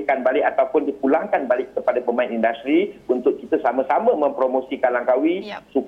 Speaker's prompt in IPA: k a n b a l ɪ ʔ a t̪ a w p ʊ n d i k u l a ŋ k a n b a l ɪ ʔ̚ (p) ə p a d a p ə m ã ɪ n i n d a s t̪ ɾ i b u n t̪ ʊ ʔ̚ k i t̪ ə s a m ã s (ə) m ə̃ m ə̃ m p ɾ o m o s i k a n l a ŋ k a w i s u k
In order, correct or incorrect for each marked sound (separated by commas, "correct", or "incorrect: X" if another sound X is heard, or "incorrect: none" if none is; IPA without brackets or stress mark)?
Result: incorrect: k, incorrect: a